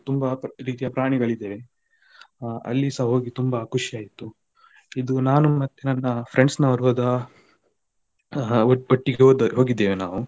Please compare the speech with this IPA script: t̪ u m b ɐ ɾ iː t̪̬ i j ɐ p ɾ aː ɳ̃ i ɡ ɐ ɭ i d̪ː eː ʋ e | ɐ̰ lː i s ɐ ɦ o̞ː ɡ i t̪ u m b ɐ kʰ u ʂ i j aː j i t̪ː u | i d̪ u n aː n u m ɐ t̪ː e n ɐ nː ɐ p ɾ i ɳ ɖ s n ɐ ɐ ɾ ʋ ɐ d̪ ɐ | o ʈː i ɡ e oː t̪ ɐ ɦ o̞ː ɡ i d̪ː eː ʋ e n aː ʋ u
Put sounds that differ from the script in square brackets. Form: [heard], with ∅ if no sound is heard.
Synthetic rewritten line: t̪ u m b ɐ ɾ iː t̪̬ i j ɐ p ɾ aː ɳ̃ i ɡ ɐ ɭ i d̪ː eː ʋ e | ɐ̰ lː i s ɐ ɦ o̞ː ɡ i t̪ u m b ɐ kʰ u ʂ i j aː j i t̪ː u | i d̪ u n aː n u m ɐ t̪ː e n ɐ nː ɐ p ɾ [e] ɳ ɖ s n ɐ ɐ ɾ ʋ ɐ d̪ ɐ | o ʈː i ɡ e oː [d̪] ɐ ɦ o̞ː ɡ i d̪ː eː ʋ e n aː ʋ u

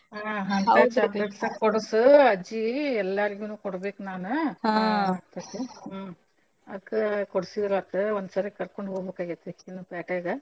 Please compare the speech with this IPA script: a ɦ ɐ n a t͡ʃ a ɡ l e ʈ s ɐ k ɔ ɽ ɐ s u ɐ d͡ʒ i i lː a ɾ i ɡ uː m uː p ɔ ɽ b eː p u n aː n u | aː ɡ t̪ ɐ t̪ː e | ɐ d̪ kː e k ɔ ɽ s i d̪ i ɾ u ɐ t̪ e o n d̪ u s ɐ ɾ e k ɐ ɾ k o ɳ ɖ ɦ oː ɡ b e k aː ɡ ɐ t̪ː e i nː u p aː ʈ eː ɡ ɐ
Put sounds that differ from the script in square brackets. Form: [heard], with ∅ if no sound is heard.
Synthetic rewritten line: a ɦ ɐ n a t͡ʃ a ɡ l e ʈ s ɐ k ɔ ɽ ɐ s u ɐ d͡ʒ i [ɛ] lː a ɾ i ɡ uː [n] uː [k] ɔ ɽ b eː [k] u n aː n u | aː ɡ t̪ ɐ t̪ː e | ɐ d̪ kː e k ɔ ɽ s i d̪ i ɾ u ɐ t̪ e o n d̪ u s ɐ ɾ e k ɐ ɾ k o ɳ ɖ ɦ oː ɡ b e k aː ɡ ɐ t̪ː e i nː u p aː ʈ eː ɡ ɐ

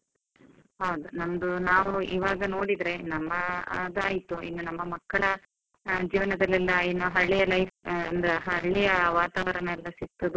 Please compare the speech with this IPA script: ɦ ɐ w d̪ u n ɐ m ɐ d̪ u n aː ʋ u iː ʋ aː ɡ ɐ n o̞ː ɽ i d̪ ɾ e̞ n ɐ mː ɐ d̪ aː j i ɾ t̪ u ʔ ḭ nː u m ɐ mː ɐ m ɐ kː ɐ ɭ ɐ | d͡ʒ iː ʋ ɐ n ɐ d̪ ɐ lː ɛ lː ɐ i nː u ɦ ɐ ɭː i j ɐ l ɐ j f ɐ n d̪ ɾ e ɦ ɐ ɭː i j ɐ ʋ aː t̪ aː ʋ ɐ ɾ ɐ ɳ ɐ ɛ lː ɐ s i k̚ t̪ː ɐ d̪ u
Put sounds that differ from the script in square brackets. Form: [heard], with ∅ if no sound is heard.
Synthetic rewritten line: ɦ ɐ w d̪ u n ɐ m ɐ d̪ u n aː ʋ u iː ʋ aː ɡ ɐ n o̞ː ɽ i d̪ ɾ e̞ n ɐ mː ɐ d̪ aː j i [∅] t̪ u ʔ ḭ nː u [n] ɐ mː ɐ m ɐ kː ɐ ɭ ɐ | d͡ʒ iː ʋ ɐ n ɐ d̪ ɐ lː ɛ lː ɐ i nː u ɦ ɐ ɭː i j ɐ l ɐ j f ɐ n d̪ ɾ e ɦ ɐ ɭː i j ɐ ʋ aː t̪ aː ʋ ɐ ɾ ɐ ɳ ɐ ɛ lː ɐ s i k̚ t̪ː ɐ d̪ u

